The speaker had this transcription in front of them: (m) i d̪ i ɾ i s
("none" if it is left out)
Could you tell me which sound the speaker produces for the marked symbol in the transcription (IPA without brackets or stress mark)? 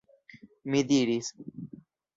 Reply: m